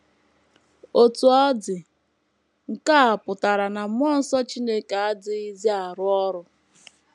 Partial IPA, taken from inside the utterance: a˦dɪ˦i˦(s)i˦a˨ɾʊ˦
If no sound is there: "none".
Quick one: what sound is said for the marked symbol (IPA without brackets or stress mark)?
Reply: z